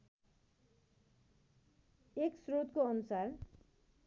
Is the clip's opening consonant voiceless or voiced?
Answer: voiceless